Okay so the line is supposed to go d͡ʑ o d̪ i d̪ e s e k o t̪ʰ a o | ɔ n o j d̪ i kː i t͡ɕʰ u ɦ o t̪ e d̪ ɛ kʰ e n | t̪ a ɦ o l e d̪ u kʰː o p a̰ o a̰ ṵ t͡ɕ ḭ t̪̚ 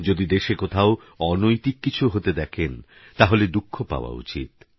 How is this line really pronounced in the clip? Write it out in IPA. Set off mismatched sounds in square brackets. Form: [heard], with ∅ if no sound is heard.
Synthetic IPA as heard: d͡ʑ o d̪ i d̪ e [ʃ] e k o t̪ʰ a o | ɔ n o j [t̪] i kː i t͡ɕʰ u ɦ o t̪ e d̪ ɛ kʰ e n | t̪ a ɦ o l e d̪ u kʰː o p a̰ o a̰ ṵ t͡ɕ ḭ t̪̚